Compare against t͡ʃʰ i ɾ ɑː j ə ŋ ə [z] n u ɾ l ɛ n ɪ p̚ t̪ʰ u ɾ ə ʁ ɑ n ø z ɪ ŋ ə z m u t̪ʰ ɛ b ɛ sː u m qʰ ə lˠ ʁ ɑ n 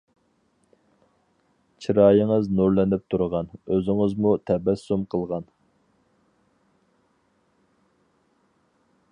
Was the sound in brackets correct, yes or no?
yes